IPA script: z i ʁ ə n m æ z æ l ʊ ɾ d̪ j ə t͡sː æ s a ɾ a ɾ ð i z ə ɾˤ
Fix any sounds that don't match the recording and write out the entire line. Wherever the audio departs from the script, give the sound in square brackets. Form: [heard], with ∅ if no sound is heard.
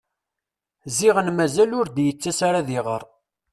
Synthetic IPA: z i ʁ ə n m æ z æ l ʊ ɾ d̪ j ə t͡sː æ s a ɾ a [∅] ð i [ʁ] ə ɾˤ